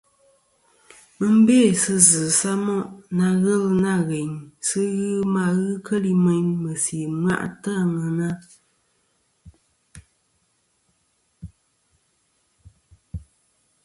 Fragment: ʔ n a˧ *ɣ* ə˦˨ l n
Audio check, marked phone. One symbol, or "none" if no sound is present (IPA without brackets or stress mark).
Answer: ɣ